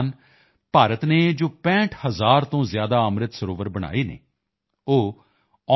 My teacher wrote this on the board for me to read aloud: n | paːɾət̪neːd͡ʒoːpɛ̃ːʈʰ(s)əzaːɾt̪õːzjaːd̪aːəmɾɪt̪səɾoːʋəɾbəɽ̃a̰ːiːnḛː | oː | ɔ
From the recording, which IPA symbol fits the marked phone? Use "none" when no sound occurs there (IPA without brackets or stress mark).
h